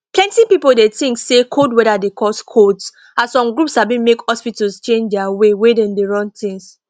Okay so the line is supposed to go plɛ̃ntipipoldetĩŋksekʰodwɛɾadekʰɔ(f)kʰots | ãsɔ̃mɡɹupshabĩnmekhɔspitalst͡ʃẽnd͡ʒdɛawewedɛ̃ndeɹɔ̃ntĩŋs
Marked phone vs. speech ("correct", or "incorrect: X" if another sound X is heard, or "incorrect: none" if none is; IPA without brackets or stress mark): incorrect: s